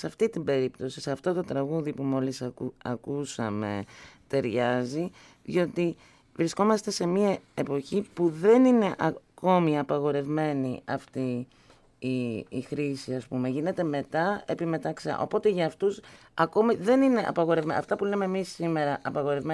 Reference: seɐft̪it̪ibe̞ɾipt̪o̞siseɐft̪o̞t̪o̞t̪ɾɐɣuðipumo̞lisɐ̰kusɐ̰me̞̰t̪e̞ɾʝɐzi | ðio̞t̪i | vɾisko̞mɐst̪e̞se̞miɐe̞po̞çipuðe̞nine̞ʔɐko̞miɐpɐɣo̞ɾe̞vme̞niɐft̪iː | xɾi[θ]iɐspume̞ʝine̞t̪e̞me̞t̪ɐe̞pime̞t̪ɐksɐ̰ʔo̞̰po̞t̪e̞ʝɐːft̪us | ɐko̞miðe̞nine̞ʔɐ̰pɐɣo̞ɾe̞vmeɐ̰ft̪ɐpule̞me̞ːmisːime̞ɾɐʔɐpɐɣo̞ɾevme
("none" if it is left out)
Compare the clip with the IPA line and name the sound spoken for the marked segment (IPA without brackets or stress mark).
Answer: s